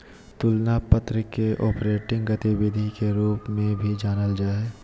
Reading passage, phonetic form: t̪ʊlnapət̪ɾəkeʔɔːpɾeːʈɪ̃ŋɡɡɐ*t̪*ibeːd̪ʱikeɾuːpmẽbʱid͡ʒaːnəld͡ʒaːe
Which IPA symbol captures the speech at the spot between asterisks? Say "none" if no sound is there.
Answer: t̪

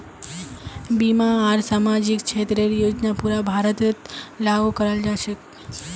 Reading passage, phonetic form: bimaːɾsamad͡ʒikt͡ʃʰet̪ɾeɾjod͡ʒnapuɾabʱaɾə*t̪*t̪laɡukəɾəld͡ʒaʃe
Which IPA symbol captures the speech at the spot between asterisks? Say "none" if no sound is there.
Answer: t̪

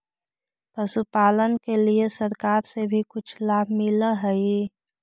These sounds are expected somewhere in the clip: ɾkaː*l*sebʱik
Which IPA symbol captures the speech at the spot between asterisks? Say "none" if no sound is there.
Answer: ɾ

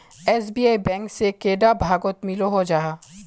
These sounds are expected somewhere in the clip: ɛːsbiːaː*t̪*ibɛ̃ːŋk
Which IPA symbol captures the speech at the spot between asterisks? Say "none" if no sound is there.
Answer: none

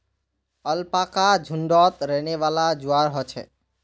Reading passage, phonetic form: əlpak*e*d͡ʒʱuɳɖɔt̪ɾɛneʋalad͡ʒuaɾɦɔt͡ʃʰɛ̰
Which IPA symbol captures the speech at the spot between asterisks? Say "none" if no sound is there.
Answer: a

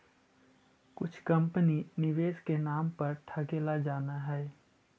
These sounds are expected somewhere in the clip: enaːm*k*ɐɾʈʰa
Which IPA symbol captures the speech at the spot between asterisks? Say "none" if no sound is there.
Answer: p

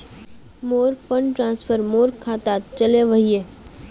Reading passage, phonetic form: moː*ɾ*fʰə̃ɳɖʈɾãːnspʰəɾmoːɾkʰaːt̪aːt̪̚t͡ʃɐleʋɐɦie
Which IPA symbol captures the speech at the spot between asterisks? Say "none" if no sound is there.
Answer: ɾ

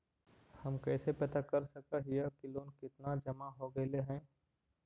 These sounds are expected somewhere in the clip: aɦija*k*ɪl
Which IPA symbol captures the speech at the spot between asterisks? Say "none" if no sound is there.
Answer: k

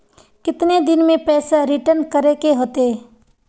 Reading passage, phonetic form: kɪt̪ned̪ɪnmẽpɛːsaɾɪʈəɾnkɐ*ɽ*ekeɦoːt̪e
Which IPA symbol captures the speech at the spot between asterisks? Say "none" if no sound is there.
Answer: ɾ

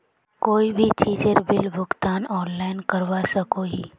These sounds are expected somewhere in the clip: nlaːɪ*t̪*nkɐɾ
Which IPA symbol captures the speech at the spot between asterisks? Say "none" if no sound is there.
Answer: none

